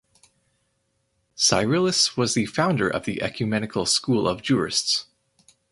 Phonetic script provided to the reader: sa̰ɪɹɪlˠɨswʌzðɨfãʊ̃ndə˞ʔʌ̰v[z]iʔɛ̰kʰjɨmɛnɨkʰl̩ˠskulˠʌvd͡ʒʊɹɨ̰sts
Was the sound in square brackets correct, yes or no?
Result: no